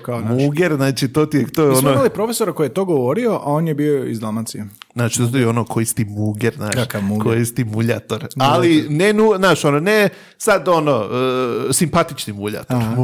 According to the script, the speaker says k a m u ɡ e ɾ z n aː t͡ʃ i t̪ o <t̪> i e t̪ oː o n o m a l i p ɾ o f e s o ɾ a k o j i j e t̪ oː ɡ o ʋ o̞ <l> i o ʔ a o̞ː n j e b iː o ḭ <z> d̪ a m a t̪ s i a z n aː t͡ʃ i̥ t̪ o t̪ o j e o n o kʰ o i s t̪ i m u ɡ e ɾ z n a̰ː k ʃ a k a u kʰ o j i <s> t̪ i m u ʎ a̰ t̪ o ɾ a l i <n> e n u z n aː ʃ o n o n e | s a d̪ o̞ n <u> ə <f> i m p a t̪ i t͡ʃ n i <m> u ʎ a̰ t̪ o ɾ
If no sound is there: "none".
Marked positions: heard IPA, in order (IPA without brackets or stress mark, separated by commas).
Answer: t̪, ɾ, z, s, n, o, s, m